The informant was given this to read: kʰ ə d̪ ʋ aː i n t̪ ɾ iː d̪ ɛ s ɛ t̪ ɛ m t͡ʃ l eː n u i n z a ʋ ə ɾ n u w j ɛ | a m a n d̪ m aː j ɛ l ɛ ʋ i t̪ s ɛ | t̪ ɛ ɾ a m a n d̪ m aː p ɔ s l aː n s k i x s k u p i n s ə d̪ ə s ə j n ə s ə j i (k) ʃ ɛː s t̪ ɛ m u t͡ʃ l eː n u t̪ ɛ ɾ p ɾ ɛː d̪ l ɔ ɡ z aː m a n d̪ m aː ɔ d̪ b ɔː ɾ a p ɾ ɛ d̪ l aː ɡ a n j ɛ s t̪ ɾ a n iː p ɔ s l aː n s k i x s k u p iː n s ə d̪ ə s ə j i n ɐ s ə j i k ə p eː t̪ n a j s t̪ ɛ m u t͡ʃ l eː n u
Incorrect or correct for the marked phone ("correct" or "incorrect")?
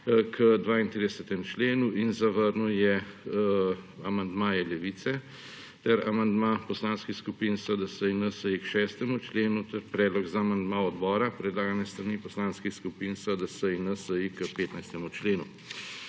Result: correct